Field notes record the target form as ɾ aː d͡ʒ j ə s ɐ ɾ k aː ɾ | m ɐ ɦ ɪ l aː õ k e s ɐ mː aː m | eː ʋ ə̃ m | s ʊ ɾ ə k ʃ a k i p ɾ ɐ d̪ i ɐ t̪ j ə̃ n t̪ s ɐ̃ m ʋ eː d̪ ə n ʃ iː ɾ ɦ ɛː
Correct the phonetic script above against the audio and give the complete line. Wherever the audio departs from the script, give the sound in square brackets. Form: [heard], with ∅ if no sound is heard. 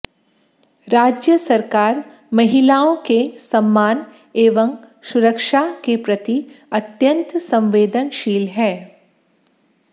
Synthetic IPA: ɾ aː d͡ʒ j ə s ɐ ɾ k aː ɾ | m ɐ ɦ ɪ l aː õ k e s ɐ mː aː [n] | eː ʋ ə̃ m | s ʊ ɾ ə k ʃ a k [e] p ɾ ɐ [t̪] i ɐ t̪ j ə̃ n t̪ s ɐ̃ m ʋ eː d̪ ə n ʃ iː [l] ɦ ɛː

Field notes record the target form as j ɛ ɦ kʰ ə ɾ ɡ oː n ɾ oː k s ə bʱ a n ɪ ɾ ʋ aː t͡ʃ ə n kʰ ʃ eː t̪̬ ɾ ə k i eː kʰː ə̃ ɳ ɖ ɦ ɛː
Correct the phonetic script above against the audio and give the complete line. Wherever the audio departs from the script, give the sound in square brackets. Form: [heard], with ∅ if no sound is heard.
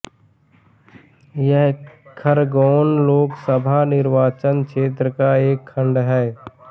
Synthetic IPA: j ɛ ɦ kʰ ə ɾ ɡ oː n [l] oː k s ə bʱ a n ɪ ɾ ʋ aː t͡ʃ ə n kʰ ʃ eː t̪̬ ɾ ə k [a] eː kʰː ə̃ ɳ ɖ ɦ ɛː

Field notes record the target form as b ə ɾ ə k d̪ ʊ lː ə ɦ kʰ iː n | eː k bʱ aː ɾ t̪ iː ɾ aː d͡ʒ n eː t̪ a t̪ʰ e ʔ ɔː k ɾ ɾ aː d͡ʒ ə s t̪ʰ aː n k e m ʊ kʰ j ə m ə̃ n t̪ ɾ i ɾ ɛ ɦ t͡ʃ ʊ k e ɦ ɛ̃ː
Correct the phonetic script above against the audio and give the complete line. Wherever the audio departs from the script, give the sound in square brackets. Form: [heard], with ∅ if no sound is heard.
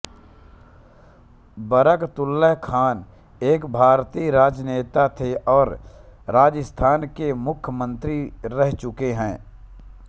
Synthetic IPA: b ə ɾ ə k [t̪] ʊ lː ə ɦ kʰ [aː] n | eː k bʱ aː ɾ t̪ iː ɾ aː d͡ʒ n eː t̪ a t̪ʰ e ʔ ɔː [∅] ɾ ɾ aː d͡ʒ ə s t̪ʰ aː n k e m ʊ kʰ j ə m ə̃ n t̪ ɾ i ɾ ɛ ɦ t͡ʃ ʊ k e ɦ ɛ̃ː

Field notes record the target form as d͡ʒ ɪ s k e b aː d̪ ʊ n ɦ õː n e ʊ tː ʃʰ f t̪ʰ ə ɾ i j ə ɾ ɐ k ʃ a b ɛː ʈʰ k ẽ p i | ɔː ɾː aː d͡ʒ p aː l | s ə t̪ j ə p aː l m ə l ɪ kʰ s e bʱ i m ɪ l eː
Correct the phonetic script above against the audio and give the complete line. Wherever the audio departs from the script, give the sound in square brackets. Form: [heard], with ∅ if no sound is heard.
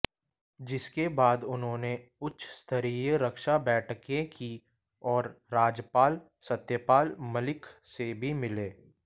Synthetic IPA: d͡ʒ ɪ s k e b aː d̪ ʊ n ɦ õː n e ʊ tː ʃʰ [s] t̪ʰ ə ɾ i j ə ɾ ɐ k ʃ a b ɛː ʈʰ k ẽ [k] i | ɔː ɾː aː d͡ʒ p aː l | s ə t̪ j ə p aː l m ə l ɪ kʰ s e bʱ i m ɪ l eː

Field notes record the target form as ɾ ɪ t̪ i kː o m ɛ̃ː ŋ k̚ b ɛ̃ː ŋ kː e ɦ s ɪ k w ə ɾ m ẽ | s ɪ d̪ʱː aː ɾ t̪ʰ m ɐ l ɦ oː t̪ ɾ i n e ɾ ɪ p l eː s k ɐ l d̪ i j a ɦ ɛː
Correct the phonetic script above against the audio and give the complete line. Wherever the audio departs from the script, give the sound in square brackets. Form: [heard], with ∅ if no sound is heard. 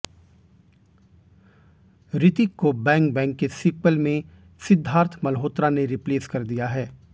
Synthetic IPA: ɾ ɪ t̪ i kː o [b] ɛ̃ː ŋ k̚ b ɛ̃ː ŋ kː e [∅] s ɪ k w ə [l] m ẽ | s ɪ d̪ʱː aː ɾ t̪ʰ m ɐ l ɦ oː t̪ ɾ [a] n e ɾ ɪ p l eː s k ɐ [ɾ] d̪ i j a ɦ ɛː

